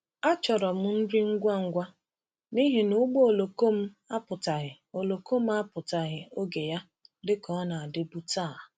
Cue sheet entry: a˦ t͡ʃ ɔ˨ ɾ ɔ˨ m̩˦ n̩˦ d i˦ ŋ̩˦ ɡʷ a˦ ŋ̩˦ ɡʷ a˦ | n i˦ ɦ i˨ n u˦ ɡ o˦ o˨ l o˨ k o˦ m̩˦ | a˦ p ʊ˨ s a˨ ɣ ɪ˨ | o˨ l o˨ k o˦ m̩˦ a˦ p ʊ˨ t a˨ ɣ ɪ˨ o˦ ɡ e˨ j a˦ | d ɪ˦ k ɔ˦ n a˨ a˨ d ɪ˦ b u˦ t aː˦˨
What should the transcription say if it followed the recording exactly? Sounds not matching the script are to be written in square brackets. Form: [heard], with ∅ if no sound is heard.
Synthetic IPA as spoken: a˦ t͡ʃ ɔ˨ ɾ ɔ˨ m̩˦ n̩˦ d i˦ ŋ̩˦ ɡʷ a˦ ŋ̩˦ ɡʷ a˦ | n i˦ ɦ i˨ n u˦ [ɡ͡b] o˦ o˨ l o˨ k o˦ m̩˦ | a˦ p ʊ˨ [t] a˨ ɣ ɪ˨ | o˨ l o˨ k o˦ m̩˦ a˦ p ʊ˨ t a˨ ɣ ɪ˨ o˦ ɡ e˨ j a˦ | d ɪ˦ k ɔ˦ n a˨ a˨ d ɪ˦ b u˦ t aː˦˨